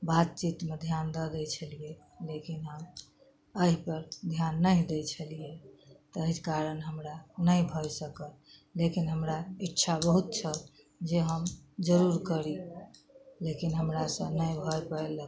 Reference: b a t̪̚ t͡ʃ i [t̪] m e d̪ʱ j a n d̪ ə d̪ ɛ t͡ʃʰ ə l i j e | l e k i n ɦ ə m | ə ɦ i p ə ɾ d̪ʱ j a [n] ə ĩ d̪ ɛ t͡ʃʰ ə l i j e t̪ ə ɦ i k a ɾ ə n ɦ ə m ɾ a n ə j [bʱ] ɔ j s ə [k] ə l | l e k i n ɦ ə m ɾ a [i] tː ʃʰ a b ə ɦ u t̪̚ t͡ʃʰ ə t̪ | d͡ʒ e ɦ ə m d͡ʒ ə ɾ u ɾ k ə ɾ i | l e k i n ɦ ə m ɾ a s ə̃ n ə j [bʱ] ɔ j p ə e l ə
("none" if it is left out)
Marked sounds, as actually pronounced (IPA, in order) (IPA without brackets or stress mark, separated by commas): t̪, nː, bʱ, k, i, bʱ